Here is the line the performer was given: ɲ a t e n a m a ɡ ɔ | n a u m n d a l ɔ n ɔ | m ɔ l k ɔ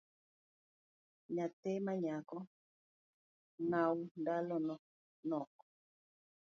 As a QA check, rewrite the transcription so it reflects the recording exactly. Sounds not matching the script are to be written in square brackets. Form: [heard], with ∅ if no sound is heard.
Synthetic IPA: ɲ a t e [m] a [ɲ] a [k] ɔ | n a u [∅] n d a l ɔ n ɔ | [n] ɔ [∅] k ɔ